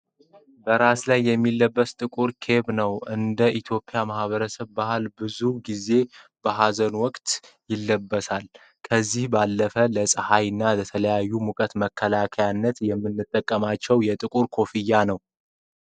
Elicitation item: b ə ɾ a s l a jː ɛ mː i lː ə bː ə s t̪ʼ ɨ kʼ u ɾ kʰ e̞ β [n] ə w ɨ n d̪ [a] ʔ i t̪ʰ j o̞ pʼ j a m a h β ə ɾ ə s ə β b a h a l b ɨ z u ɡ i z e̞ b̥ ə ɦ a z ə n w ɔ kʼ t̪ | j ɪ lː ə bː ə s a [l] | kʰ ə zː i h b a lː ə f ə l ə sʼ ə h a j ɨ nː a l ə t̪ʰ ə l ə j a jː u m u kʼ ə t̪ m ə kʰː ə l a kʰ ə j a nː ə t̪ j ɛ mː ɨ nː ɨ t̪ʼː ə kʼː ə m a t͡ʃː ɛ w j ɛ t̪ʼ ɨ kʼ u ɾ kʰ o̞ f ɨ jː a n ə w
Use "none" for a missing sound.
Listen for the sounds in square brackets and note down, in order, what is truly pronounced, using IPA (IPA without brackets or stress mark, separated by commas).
n, ə, l